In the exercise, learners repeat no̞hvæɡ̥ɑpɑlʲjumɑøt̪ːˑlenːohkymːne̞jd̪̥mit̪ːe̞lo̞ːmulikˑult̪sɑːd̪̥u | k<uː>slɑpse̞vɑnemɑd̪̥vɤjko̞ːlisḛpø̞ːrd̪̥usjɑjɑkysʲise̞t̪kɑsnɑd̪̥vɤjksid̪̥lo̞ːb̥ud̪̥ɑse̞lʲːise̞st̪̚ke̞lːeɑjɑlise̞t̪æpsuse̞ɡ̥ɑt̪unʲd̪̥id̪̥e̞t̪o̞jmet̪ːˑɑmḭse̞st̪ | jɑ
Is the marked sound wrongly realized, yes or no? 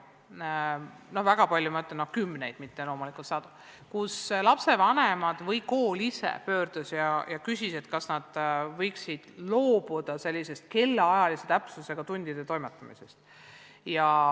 yes